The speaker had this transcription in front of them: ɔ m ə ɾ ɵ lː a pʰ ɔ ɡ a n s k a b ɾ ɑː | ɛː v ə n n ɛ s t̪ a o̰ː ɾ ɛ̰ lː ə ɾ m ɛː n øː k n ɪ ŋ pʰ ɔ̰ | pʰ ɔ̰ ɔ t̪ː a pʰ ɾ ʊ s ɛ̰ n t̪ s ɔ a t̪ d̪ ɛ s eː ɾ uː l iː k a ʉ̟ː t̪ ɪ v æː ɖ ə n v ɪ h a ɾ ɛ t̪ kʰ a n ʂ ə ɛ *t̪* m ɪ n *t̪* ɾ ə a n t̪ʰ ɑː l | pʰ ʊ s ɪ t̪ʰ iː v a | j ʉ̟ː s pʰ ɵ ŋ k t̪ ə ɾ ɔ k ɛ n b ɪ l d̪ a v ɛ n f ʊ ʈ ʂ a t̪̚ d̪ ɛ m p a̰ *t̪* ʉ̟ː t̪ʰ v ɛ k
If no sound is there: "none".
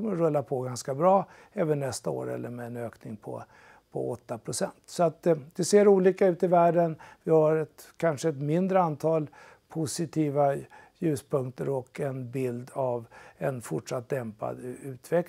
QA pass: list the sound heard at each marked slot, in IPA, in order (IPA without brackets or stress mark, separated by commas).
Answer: t̪, d̪, d̪